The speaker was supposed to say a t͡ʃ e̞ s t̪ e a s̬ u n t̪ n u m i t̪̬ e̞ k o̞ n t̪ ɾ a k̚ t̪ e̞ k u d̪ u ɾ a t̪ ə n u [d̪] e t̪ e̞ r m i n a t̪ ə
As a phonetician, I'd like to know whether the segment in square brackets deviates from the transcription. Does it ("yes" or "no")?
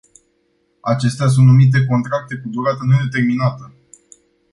no